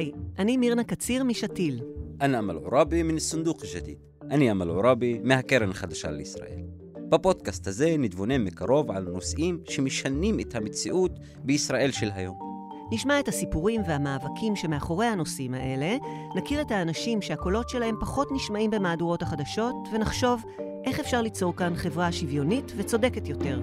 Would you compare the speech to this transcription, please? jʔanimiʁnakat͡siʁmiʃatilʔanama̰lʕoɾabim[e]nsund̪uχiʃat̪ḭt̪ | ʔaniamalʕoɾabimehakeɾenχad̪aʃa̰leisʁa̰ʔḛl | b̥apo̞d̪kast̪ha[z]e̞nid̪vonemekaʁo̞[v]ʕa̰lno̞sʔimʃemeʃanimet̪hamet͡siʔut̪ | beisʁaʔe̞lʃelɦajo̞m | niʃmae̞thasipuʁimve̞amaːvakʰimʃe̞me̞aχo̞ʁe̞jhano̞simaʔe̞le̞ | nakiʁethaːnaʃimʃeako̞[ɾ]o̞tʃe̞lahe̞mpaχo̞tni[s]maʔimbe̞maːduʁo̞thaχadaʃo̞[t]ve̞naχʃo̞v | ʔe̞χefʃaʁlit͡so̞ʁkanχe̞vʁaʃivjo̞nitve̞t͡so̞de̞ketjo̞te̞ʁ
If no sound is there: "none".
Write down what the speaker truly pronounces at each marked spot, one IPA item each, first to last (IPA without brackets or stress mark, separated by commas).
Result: i, z, v, l, ʃ, t